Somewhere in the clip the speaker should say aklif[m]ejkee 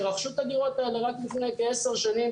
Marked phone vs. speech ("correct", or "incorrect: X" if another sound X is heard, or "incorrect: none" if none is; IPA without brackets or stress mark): incorrect: n